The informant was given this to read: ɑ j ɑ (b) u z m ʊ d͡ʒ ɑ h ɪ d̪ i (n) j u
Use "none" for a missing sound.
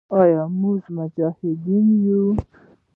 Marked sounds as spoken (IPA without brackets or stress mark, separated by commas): m, n